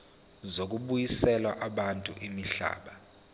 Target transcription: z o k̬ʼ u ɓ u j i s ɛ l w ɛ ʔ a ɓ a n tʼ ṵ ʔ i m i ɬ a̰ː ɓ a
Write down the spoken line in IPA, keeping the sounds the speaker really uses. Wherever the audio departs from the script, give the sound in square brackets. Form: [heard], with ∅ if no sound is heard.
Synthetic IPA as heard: z o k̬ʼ u ɓ u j i s ɛ l w [a] ʔ a ɓ a n tʼ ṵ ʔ i m i ɬ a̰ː ɓ a